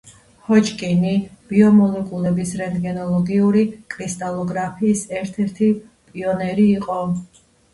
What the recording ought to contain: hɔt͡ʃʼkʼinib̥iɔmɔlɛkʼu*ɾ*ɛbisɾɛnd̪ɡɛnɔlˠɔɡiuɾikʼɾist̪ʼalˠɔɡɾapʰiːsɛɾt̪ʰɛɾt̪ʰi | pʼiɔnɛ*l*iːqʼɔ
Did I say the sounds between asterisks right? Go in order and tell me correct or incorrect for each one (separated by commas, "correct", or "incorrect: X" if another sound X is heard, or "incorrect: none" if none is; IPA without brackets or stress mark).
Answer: incorrect: l, incorrect: ɾ